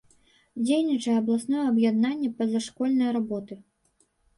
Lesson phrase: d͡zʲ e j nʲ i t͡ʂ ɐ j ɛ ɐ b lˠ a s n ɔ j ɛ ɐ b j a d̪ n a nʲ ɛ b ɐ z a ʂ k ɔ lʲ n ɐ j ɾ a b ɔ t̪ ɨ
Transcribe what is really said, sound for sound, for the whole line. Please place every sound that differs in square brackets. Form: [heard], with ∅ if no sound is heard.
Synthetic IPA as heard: d͡zʲ e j nʲ i t͡ʂ ɐ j ɛ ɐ b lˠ a s n ɔ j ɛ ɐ b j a d̪ n a [nʲː] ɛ [p] ɐ z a ʂ k ɔ lʲ n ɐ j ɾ a b ɔ t̪ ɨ